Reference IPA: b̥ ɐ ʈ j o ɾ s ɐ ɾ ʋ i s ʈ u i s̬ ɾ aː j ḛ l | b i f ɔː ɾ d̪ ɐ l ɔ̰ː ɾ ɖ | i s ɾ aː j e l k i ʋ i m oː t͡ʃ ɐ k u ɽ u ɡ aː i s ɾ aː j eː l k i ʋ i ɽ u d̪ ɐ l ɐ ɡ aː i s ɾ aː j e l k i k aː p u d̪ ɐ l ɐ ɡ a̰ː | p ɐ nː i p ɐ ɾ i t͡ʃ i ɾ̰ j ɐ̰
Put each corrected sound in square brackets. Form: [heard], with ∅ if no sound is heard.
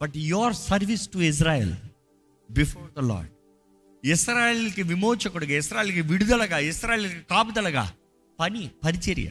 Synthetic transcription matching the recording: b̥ ɐ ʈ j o ɾ s ɐ ɾ ʋ i s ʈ u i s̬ ɾ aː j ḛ l | b i f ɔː ɾ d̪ ɐ l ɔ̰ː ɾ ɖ | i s ɾ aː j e l k i ʋ i m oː t͡ʃ ɐ k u ɽ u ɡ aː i s ɾ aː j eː l k i ʋ i ɽ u d̪ ɐ l ɐ ɡ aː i s ɾ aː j e l k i k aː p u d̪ ɐ l ɐ ɡ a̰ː | p ɐ [n] i p ɐ ɾ i t͡ʃ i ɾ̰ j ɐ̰